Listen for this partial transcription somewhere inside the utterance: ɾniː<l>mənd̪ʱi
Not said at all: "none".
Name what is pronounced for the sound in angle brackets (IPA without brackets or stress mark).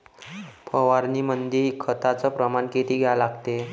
none